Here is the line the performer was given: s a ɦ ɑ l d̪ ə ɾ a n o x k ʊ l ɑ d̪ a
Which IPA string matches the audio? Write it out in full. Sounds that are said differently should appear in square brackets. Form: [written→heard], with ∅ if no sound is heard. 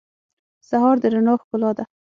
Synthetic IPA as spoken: s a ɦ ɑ [l→ɾ] d̪ ə ɾ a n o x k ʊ l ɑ d̪ a